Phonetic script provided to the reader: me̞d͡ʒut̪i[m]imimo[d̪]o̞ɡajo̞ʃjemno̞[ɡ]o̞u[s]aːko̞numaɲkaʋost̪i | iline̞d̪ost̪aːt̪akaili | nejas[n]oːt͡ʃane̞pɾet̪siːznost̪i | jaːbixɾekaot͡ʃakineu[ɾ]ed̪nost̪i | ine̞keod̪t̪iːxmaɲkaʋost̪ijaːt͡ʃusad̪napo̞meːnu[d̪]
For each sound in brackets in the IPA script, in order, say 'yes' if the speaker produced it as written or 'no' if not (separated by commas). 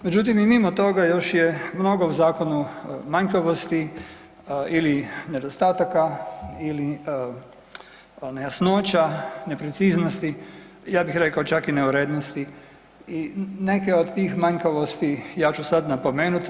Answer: yes, no, yes, no, yes, yes, no